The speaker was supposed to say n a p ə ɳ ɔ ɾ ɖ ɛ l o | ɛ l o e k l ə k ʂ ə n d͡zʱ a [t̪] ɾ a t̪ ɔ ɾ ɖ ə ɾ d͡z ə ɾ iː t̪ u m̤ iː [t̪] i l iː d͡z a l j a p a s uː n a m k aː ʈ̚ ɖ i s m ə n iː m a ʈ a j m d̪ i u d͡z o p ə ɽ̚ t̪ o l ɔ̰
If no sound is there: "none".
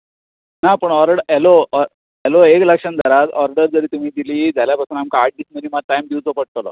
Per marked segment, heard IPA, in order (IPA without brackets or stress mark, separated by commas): none, d̪